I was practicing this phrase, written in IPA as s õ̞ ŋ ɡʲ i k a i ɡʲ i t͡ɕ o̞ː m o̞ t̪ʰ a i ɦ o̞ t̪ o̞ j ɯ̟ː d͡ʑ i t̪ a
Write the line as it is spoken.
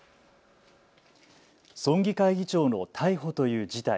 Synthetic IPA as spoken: s õ̞ ŋ ɡʲ i k a i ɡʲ i t͡ɕ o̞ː n o̞ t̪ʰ a i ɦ o̞ t̪ o̞ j ɯ̟ː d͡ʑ i t̪ a